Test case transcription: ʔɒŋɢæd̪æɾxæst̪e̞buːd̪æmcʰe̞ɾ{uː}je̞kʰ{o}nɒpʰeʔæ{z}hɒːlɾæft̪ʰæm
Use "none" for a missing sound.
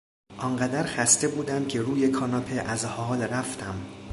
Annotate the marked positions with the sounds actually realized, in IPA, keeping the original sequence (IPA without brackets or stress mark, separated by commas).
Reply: uː, ɒ, z